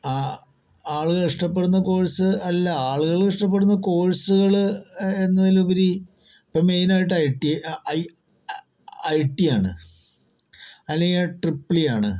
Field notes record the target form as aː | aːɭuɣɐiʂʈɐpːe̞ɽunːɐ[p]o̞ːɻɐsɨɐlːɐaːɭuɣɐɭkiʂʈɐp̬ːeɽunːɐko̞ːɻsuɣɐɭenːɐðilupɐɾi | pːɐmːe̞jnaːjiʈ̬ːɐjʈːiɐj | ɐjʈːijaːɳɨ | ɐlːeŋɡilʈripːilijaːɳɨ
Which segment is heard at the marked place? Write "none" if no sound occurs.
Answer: k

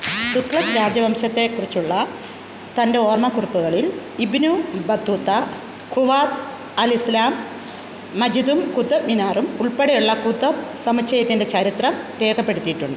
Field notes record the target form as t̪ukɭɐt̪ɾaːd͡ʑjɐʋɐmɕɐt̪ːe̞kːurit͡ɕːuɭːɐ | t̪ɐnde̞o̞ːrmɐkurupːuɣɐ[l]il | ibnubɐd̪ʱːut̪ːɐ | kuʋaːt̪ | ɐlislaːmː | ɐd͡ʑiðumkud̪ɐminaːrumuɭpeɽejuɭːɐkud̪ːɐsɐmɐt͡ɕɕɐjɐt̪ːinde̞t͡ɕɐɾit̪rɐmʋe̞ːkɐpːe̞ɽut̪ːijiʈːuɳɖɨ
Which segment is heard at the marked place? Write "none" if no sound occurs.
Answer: ɭ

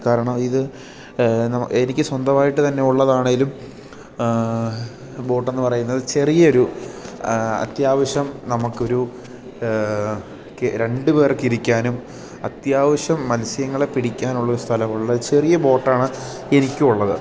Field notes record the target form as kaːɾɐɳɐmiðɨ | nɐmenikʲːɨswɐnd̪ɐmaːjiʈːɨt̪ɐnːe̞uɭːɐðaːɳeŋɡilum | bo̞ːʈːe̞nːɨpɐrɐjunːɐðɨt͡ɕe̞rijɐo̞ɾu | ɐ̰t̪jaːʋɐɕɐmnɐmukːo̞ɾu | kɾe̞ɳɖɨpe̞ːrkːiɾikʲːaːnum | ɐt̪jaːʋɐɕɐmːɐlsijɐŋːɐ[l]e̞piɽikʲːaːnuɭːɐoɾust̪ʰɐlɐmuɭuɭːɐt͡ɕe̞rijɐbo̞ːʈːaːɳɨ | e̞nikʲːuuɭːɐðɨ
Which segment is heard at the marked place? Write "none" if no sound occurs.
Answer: ɭ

